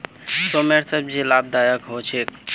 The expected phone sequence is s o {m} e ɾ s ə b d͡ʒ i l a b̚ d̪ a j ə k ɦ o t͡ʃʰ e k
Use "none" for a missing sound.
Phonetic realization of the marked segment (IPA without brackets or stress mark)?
m